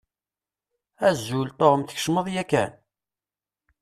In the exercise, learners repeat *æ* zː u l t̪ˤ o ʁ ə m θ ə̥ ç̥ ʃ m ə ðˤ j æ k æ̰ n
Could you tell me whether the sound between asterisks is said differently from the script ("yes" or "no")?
no